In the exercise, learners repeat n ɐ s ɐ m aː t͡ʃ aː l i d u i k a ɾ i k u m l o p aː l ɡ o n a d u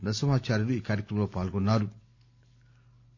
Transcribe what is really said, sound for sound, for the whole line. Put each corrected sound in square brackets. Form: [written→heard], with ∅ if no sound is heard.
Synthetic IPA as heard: n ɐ s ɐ m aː t͡ʃ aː [l→ɾ] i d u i k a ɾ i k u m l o p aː l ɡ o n a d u

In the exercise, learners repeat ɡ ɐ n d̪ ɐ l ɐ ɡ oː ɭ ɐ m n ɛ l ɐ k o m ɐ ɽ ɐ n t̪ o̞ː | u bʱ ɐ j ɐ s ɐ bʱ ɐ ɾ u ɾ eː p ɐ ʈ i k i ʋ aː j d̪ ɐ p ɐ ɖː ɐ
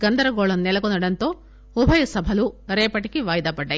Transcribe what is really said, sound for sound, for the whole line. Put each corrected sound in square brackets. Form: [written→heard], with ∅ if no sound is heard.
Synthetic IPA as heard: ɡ ɐ n d̪ ɐ [l→ɾ] ɐ ɡ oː ɭ ɐ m n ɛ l ɐ k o [m→n] ɐ ɽ ɐ n t̪ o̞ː | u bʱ ɐ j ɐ s ɐ bʱ ɐ [ɾ→l] u ɾ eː p ɐ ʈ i k i ʋ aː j d̪ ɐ p ɐ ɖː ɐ

